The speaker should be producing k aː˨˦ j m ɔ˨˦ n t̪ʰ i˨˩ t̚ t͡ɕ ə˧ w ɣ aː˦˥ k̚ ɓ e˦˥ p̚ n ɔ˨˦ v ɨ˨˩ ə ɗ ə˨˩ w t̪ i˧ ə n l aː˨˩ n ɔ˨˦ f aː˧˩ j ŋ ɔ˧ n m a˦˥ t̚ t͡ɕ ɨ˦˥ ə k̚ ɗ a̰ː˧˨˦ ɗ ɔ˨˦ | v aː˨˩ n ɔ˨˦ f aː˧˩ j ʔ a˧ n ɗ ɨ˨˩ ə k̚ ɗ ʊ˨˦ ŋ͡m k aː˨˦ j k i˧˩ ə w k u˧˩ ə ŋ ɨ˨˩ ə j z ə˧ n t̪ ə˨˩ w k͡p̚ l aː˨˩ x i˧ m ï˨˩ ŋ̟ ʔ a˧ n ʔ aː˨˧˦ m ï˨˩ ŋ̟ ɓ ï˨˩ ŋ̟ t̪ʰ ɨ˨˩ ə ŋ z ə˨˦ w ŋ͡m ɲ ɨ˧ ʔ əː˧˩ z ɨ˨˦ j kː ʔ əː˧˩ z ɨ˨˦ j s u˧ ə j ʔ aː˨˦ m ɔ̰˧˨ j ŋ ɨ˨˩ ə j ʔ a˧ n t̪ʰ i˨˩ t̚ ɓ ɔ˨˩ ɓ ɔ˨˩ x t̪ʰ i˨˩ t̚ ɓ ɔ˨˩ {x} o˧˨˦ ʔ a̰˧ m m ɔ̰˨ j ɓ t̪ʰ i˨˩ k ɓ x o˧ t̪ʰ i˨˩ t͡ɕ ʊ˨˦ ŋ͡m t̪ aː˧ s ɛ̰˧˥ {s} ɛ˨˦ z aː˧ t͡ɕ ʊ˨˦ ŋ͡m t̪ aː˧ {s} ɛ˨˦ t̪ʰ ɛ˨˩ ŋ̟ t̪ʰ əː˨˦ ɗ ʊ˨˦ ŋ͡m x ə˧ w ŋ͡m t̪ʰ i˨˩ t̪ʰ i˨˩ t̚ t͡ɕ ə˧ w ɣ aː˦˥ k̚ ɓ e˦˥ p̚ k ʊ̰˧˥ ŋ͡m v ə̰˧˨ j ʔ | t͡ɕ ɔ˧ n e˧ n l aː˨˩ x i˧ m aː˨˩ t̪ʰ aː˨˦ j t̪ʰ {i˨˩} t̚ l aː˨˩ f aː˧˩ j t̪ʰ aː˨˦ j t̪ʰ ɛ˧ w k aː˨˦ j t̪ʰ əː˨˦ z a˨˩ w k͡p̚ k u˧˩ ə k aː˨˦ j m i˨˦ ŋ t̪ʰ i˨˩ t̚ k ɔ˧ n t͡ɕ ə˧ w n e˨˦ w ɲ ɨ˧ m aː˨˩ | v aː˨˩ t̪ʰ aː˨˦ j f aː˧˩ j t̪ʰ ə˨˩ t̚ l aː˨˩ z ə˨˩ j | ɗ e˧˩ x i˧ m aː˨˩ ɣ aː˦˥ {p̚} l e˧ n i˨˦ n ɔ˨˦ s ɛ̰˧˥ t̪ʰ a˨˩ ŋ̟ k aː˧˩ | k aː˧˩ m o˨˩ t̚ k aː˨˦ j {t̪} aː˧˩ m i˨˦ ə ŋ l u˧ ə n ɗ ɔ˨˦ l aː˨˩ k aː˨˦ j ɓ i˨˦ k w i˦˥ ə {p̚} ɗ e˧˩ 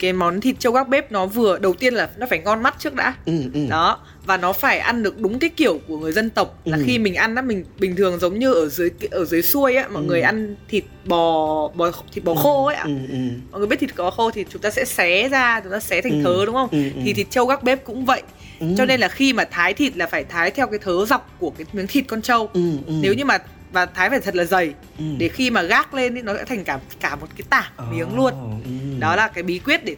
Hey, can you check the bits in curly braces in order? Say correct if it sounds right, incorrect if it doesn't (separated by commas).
correct, correct, correct, correct, incorrect, correct, incorrect